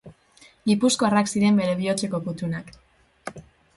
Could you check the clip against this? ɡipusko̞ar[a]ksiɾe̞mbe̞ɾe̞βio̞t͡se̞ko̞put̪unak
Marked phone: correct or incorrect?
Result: correct